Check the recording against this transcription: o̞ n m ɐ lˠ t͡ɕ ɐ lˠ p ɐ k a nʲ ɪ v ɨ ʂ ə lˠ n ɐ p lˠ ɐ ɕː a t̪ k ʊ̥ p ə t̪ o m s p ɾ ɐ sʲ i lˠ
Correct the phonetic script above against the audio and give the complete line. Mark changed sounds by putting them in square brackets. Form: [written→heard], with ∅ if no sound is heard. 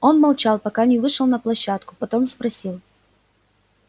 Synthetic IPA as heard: o̞ n m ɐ lˠ t͡ɕ [ɐ→a] lˠ p ɐ k a nʲ ɪ v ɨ ʂ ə lˠ n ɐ p lˠ ɐ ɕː a t̪ k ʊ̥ p [ə→ɐ] t̪ o m s p ɾ ɐ sʲ i lˠ